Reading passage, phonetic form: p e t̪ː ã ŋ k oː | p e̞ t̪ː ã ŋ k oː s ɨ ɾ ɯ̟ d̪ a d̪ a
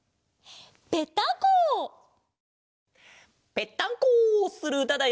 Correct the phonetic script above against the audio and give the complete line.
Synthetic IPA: p e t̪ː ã ŋ k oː | p e̞ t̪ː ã ŋ k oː s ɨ ɾ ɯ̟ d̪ a d̪ a